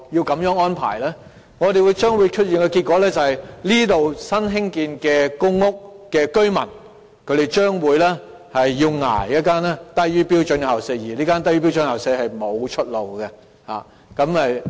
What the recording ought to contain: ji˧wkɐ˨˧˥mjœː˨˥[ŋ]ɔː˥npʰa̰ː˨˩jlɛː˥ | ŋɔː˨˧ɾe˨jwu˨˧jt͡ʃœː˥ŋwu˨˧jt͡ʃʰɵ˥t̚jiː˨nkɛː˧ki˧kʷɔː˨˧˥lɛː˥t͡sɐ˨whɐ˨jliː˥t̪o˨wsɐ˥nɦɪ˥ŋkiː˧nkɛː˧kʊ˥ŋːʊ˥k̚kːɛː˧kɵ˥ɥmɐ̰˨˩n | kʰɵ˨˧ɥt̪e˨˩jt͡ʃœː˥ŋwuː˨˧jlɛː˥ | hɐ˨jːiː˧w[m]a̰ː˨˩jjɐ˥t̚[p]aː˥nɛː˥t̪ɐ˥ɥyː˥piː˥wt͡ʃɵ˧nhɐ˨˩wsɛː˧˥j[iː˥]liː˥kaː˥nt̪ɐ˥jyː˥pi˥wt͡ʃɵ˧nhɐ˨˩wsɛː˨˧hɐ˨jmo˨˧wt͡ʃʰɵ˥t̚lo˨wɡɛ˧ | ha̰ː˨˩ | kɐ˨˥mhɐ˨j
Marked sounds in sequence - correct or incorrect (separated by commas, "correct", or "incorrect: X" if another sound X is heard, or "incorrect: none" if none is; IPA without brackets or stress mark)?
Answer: correct, incorrect: ŋ, incorrect: k, incorrect: iː˨˩